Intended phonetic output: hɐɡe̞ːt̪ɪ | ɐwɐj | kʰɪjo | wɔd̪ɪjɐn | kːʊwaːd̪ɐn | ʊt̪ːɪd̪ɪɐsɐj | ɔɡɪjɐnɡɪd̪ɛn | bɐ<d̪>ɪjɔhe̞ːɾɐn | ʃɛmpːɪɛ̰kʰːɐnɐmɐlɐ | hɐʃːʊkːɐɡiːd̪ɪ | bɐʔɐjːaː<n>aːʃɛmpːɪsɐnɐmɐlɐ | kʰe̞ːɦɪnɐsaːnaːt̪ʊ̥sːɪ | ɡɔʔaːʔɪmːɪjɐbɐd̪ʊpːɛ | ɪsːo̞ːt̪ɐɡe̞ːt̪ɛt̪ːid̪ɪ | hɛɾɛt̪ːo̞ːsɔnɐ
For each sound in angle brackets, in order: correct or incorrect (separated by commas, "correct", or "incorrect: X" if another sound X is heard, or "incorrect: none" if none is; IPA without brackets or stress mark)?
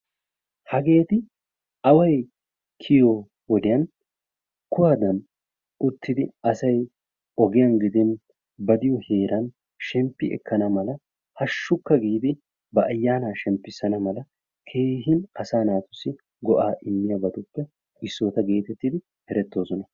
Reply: correct, correct